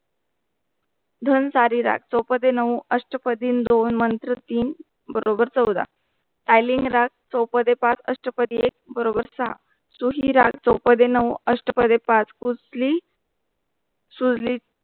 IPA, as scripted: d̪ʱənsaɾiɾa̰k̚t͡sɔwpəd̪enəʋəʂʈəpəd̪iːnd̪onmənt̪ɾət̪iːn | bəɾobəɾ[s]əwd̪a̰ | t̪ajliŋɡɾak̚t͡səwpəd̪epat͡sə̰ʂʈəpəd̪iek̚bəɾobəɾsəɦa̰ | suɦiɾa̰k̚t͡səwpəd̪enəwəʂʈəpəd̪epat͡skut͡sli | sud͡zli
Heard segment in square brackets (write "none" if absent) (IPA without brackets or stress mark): t͡s